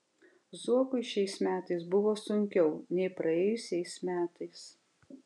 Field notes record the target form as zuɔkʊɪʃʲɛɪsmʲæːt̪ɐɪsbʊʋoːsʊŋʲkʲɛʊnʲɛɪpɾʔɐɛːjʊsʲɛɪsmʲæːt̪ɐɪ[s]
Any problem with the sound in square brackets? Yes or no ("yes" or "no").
no